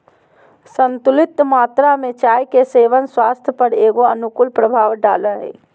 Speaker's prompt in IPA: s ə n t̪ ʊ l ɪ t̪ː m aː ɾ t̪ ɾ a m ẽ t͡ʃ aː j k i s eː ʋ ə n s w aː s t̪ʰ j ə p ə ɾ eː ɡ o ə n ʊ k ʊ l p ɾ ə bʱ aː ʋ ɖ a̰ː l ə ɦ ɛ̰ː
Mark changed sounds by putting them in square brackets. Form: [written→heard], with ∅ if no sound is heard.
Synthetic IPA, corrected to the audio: s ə n t̪ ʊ l ɪ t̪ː m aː [ɾ→∅] t̪ ɾ a m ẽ t͡ʃ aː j k [i→e] s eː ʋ ə n s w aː s t̪ʰ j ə p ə ɾ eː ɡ o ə n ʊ k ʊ l p ɾ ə bʱ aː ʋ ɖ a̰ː l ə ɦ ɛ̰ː